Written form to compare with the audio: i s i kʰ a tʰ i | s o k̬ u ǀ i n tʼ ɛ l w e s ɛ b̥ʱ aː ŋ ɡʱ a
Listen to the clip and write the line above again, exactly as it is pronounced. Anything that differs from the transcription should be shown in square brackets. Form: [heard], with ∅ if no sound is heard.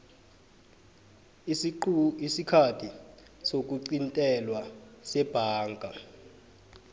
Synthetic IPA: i s i kʰ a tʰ i | s o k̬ u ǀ i n tʼ ɛ l w [a] s ɛ b̥ʱ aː ŋ ɡʱ a